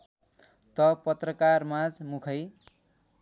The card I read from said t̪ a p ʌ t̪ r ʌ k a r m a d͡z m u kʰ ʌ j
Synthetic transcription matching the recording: t̪ ʌ p ʌ t̪ r ʌ k a r m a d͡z m u kʰ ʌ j